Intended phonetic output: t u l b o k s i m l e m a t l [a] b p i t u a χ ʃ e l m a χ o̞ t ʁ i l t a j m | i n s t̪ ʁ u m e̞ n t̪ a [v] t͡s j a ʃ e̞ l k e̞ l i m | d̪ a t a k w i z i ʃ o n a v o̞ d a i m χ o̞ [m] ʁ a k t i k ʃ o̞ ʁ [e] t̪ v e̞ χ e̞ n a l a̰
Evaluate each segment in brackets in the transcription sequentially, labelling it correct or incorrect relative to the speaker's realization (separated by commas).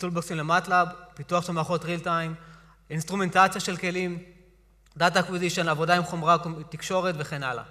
correct, incorrect, correct, correct